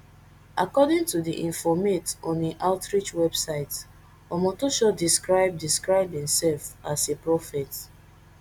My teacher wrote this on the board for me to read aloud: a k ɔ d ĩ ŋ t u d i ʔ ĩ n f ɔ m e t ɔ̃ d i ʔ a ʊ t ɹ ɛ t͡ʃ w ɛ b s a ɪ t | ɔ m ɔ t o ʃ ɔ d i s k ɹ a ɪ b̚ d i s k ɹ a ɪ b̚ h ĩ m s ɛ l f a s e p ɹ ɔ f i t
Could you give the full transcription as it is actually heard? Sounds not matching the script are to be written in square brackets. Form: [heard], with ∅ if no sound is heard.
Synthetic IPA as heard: a k ɔ d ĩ ŋ t u d i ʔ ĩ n f ɔ m e t ɔ̃ [n] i ʔ a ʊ t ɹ [i] t͡ʃ w ɛ b s a ɪ t | ɔ m ɔ t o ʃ ɔ d i s k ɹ a ɪ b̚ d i s k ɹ a ɪ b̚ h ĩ m s ɛ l f a s e p ɹ ɔ f [ɛ] t